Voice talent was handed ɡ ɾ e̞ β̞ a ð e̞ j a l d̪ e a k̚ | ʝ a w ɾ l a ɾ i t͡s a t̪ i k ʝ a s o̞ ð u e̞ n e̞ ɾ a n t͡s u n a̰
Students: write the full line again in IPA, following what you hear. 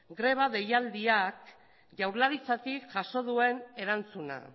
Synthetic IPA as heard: ɡ ɾ e̞ β̞ a ð e̞ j a l d̪ i a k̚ | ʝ a w ɾ l a ɾ i t͡s a t̪ i k ʝ a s o̞ ð u e̞ n e̞ ɾ a n t͡s u n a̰